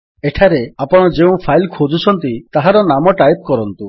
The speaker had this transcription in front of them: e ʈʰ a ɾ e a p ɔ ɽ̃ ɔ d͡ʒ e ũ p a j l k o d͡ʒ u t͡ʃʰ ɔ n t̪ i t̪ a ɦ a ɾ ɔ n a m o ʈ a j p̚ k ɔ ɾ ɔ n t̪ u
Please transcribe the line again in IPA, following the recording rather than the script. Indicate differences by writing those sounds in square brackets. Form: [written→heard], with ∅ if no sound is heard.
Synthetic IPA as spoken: e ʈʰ a ɾ e a p ɔ ɽ̃ ɔ d͡ʒ e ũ [p→pʰ] a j l [k→kʰ] o d͡ʒ u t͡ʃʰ ɔ n t̪ i t̪ a ɦ a ɾ ɔ n a m [o→ɔ] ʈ a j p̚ k ɔ ɾ ɔ n t̪ u